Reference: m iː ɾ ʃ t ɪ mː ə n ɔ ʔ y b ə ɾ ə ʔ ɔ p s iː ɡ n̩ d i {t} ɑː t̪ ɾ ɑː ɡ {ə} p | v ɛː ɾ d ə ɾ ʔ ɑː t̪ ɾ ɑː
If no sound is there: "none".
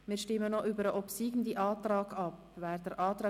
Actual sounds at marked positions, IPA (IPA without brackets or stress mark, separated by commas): ʔ, ɑ